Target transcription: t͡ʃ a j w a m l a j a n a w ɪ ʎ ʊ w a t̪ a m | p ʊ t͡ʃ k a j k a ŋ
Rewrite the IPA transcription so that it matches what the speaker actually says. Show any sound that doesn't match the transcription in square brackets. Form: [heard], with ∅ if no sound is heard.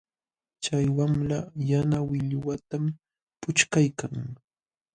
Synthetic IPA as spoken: t͡ʃ a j w a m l a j a n a w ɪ ʎ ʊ w a t̪ a m | p ʊ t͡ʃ k a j k a ŋ